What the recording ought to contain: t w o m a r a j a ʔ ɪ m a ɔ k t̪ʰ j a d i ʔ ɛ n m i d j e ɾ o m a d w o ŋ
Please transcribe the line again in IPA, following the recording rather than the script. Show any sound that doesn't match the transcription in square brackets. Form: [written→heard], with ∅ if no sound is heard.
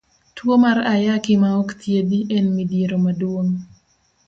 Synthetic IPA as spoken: t w o m a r a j a [ʔ→k] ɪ m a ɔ k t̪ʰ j [a→e] d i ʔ ɛ n m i d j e ɾ o m a d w o ŋ